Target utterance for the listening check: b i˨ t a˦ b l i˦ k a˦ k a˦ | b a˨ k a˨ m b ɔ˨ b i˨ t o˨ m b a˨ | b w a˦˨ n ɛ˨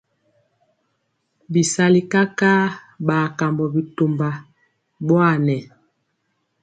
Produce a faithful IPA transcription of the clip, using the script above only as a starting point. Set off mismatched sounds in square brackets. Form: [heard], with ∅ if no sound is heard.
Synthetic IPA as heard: b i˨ [s] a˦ [∅] l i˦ k a˦ k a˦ | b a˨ k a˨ m b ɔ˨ b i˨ t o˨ m b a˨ | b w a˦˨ n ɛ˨